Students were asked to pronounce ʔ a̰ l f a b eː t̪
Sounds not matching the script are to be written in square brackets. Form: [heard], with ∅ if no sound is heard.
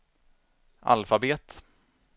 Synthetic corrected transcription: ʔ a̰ l f a b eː t̪